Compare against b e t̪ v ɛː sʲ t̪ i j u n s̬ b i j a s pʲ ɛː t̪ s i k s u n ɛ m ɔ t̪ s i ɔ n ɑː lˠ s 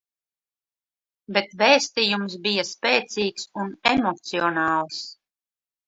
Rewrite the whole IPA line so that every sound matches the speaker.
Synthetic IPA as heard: b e t̪ v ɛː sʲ t̪ i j u m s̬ b i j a s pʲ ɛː t̪ s iː k s u n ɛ m ɔ t̪ s i ɔ n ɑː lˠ s